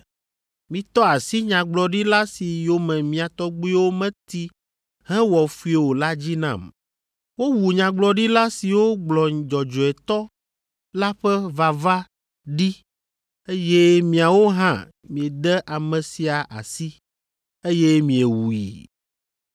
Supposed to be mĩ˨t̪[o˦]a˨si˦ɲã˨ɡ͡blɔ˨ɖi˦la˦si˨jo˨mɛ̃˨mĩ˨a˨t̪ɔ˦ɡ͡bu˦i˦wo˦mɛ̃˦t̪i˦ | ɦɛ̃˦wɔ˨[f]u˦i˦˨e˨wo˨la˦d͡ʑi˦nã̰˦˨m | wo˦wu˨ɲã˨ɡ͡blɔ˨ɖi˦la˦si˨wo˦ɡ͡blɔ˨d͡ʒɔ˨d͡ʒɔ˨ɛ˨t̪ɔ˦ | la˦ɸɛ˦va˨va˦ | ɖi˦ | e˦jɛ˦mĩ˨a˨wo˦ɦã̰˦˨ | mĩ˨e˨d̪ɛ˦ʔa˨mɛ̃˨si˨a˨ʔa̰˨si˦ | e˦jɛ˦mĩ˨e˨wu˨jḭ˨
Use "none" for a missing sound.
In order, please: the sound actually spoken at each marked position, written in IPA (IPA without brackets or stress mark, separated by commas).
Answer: ɔ˦, f